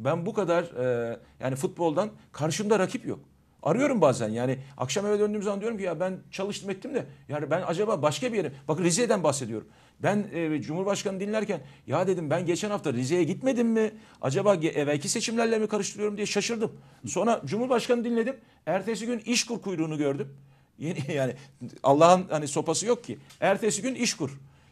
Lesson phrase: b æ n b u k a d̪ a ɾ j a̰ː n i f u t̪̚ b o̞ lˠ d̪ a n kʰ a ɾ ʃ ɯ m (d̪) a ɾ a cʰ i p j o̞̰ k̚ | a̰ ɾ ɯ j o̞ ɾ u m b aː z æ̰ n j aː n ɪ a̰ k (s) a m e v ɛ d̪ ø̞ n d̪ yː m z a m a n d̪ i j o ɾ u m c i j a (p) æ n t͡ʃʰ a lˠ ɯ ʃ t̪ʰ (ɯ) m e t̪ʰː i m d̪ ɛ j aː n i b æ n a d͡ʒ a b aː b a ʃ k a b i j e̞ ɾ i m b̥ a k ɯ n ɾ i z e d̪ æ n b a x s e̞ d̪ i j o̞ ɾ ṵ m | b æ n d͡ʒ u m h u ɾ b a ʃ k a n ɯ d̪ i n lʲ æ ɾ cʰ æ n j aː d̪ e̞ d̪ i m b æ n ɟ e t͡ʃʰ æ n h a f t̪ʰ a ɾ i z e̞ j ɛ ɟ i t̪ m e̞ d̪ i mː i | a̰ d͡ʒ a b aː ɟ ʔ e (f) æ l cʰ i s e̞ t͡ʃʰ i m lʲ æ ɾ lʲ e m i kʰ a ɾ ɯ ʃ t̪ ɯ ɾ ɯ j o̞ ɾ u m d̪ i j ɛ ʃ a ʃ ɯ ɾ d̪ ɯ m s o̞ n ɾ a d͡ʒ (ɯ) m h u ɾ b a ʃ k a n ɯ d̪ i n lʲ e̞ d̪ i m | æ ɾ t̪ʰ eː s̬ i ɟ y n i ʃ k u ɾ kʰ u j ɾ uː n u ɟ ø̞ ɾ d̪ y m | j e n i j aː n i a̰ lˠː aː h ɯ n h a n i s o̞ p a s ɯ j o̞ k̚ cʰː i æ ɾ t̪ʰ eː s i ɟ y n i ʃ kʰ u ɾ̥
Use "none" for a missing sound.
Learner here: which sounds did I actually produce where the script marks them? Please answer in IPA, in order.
d̪, ʃ, b, ɯ, v, u

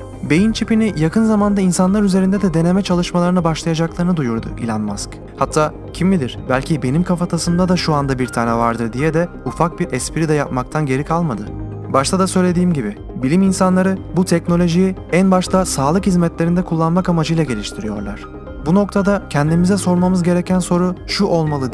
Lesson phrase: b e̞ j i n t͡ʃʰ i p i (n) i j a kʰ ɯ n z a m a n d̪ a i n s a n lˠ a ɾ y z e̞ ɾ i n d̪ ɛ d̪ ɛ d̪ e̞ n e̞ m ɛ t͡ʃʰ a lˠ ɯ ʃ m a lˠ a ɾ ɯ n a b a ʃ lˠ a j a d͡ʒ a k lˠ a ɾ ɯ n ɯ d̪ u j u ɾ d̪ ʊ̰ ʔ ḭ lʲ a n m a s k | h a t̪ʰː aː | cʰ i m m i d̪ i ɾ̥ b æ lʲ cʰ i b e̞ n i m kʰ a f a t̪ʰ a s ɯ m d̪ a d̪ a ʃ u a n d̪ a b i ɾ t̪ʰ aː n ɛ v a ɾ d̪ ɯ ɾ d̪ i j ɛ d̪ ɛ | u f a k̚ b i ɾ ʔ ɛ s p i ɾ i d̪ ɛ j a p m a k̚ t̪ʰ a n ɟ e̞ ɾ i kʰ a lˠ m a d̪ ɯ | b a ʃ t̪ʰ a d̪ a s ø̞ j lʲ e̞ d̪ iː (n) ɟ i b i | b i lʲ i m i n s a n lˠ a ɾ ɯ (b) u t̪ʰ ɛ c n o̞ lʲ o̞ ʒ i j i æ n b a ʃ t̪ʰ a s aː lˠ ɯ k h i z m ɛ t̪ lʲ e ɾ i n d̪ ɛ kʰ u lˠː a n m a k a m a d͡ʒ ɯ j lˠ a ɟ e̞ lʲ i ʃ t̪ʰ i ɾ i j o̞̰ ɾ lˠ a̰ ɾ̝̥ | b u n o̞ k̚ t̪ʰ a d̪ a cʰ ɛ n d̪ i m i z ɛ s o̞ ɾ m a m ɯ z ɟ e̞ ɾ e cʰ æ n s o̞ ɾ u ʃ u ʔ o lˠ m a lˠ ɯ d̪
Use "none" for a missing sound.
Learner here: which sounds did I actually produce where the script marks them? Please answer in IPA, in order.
n, m, b

